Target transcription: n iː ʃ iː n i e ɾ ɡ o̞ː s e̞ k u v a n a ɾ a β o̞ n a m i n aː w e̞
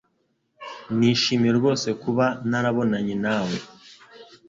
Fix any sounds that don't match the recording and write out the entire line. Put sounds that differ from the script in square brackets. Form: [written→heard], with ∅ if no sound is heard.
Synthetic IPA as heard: n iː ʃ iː [n→m] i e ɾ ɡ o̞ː s e̞ k u [v→β] a n a ɾ a β o̞ n a [m→ɲ] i n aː w e̞